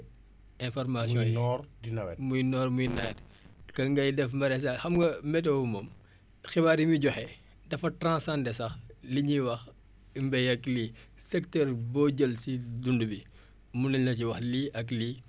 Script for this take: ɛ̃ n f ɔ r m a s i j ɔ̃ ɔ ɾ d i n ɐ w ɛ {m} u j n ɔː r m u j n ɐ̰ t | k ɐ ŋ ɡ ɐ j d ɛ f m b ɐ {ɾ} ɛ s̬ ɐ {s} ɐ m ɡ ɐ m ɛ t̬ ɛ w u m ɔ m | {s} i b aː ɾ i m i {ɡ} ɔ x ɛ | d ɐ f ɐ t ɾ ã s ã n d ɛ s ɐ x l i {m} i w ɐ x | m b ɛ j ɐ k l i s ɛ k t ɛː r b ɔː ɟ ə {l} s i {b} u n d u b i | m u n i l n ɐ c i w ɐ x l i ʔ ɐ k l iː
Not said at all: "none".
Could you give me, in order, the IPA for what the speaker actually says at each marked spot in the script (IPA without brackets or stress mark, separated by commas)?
m, ɾ, x, x, ɟ, ɲ, l, d